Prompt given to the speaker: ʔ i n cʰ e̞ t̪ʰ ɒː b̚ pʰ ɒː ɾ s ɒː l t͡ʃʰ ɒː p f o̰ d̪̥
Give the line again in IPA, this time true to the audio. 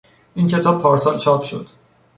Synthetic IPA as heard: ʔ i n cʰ e̞ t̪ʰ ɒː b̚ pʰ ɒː ɾ s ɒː l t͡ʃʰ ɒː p ʃ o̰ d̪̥